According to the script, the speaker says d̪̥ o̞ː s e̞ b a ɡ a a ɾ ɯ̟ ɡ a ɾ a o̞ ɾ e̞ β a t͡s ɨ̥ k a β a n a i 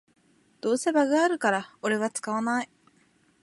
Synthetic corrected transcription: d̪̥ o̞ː s e̞ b a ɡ a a ɾ ɯ̟ k a ɾ a o̞ ɾ e̞ β a t͡s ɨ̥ k a β a n a i